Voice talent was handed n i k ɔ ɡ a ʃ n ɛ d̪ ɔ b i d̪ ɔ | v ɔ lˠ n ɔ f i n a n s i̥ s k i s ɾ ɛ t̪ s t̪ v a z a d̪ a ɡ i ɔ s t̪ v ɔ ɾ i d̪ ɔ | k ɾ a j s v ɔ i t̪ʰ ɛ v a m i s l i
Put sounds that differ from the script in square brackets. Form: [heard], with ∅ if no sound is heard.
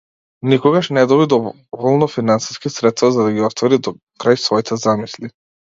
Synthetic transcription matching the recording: n i k ɔ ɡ a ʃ n ɛ d̪ ɔ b i d̪ ɔ | v ɔ lˠ n ɔ f i n a n s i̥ s k i s ɾ ɛ t̪ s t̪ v a z a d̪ a ɡ i ɔ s t̪ v ɔ ɾ i d̪ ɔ | k ɾ a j s v ɔ i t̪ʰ ɛ [z] a m i s l i